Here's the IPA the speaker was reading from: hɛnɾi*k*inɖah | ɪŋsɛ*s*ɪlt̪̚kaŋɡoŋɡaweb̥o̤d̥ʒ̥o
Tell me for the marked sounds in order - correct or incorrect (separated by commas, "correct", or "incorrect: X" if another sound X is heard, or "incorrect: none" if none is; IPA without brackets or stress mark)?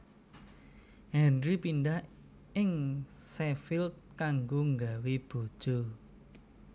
incorrect: p, incorrect: f